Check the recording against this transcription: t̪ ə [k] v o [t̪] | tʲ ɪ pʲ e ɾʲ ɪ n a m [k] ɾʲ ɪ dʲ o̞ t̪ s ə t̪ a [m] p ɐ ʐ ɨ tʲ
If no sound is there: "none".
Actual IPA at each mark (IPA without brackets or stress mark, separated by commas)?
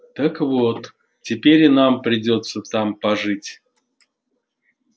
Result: k, t̪, p, m